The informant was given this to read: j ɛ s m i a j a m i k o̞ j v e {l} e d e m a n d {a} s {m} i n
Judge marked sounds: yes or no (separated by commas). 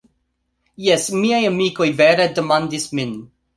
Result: no, no, yes